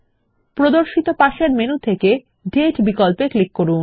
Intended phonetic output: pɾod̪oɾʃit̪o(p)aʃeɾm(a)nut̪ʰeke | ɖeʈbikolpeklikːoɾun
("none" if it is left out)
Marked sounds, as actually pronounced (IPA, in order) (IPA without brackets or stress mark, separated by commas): p, e